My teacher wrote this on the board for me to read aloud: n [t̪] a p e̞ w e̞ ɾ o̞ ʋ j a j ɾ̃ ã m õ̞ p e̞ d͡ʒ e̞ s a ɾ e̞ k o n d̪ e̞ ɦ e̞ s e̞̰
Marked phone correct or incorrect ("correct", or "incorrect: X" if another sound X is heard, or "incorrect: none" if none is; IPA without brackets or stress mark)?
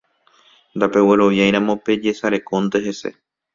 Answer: incorrect: d̪